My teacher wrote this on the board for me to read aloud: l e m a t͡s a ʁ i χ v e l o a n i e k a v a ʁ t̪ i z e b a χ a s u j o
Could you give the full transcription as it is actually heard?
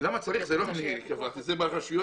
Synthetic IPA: l a m a t͡s a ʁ i χ z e l o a n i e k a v a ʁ t̪ i z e b a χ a ʃ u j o